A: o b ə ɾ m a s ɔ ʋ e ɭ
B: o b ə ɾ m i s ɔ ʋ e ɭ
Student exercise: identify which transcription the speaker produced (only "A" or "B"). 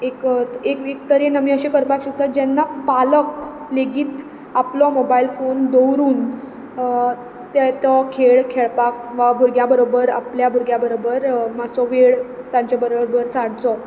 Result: A